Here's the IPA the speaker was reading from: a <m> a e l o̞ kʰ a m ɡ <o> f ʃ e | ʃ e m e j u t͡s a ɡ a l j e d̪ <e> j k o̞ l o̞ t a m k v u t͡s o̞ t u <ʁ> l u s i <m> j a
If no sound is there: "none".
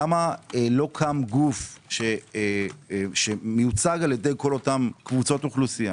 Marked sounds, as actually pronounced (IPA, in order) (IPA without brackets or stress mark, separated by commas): m, u, e, χ, none